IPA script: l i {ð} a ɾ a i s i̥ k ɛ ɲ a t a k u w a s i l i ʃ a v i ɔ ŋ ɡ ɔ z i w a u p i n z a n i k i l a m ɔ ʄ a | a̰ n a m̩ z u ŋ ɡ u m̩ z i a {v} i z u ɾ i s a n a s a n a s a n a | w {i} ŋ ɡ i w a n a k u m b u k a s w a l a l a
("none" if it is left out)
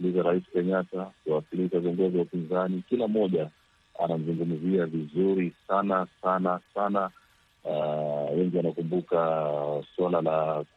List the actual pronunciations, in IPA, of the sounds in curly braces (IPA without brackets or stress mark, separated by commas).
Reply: z, v, ɛ